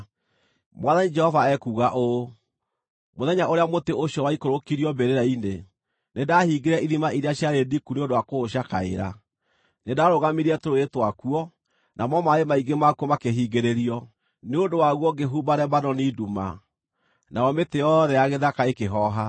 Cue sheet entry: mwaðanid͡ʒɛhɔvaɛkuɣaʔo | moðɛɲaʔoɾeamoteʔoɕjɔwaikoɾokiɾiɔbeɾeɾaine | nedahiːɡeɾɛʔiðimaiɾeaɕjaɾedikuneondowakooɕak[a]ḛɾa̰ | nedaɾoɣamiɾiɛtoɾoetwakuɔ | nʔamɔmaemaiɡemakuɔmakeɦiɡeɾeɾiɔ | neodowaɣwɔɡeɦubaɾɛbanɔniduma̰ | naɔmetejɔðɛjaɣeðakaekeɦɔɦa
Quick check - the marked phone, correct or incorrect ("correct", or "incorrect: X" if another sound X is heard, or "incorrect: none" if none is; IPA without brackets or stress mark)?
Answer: correct